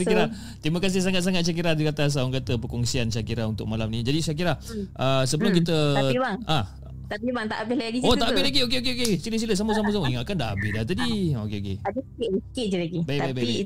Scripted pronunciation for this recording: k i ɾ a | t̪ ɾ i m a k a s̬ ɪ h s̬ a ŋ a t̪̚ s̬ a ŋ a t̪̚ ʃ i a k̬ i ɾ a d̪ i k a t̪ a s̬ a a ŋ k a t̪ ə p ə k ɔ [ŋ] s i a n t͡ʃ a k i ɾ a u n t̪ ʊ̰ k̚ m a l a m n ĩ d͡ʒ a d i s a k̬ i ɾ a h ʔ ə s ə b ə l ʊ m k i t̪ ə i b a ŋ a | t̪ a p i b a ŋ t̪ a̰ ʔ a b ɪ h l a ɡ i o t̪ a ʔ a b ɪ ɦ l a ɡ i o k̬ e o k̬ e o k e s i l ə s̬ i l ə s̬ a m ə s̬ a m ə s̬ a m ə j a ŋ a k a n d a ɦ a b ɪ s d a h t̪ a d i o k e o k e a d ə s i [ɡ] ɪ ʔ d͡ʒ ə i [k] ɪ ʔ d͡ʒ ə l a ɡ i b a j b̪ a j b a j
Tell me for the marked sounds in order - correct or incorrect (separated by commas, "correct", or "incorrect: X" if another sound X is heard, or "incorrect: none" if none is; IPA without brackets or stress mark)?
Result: correct, incorrect: k, correct